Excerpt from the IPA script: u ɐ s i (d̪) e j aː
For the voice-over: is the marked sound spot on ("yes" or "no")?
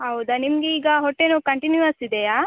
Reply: yes